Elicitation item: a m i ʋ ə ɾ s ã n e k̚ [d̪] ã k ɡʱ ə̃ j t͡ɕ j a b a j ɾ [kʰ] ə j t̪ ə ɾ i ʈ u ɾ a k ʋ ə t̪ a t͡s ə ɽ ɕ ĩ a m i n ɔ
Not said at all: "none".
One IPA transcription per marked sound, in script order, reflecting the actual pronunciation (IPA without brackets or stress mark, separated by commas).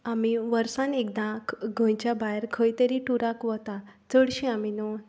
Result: d̪, kʰ